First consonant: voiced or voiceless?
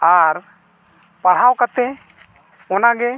voiced